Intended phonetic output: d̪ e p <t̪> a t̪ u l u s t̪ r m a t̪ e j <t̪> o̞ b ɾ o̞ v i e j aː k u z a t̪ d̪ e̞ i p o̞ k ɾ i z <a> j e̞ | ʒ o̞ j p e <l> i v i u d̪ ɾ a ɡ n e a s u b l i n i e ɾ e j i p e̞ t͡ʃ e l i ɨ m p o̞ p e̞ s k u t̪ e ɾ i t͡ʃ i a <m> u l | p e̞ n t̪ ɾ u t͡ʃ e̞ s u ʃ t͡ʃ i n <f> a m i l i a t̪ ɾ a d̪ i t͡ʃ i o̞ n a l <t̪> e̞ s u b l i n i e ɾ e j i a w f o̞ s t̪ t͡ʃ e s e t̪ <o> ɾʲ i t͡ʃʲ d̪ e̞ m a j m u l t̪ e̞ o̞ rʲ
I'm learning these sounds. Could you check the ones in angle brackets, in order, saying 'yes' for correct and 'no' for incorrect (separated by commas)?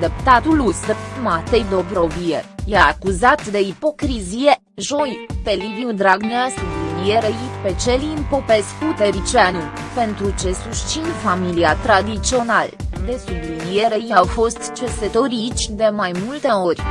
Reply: yes, no, no, yes, no, yes, no, yes